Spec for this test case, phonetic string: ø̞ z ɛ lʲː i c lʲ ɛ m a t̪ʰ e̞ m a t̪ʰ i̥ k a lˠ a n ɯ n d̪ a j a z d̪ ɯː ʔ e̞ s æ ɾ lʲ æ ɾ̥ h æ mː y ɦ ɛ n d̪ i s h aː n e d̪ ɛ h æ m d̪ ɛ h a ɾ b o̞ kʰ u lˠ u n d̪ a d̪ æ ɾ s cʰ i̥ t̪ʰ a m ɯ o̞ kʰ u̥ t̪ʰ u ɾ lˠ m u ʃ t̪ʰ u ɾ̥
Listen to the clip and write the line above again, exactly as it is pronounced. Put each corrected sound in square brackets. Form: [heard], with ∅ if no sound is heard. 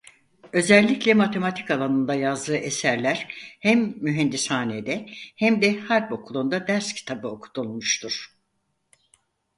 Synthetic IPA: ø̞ z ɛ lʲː i c lʲ ɛ m a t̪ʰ e̞ m a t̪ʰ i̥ k a lˠ a n ɯ n d̪ a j a z d̪ ɯː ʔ e̞ s æ ɾ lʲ æ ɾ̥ h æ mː y ɦ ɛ n d̪ i s h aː n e d̪ ɛ h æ m d̪ ɛ h a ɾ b o̞ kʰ u lˠ u n d̪ a d̪ æ ɾ s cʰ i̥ t̪ʰ a [b] ɯ o̞ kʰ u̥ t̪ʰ u [∅] lˠ m u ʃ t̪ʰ u ɾ̥